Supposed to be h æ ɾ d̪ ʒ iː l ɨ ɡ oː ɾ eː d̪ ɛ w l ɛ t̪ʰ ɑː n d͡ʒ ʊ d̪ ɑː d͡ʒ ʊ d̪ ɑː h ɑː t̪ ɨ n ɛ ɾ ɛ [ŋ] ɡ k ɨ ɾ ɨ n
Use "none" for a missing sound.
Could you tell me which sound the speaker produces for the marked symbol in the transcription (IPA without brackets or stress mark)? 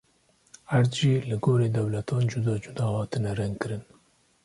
ŋ